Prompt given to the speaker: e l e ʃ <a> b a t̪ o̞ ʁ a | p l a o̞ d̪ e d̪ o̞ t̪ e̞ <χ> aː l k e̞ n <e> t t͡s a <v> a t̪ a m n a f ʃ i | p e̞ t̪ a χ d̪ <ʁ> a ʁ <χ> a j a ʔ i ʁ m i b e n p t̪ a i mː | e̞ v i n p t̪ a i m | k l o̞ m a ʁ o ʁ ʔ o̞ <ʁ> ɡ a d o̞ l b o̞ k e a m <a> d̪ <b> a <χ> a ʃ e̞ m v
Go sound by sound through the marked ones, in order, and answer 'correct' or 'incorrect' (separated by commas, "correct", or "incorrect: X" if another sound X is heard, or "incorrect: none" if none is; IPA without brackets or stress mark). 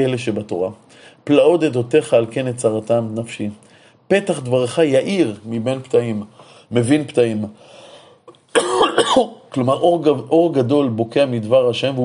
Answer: incorrect: e, correct, correct, incorrect: ʁ, incorrect: v, correct, correct, incorrect: i, incorrect: v, incorrect: ʁ